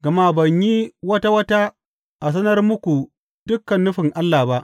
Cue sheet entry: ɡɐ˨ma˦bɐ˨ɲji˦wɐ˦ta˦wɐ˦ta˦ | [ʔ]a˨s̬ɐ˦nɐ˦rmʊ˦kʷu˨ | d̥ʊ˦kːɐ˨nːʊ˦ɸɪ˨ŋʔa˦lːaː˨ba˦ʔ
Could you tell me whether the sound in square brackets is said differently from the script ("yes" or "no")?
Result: no